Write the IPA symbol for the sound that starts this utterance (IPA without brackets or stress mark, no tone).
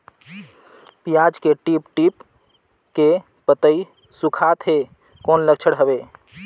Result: p